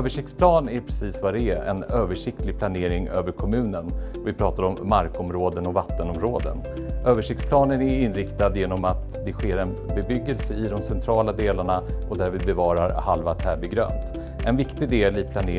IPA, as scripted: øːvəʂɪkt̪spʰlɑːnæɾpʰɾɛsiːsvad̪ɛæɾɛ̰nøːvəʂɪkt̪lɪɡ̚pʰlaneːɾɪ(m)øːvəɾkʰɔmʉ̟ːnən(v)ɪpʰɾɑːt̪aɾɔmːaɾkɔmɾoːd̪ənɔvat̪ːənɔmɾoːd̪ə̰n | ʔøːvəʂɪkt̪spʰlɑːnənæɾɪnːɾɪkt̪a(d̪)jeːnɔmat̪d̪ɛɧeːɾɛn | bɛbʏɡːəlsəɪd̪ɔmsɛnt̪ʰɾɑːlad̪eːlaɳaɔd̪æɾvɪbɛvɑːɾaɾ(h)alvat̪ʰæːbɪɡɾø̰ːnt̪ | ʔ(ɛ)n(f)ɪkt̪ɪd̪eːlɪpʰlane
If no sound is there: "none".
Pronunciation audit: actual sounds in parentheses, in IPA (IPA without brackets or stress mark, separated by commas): ŋ, v, d̪, h, ɛ, v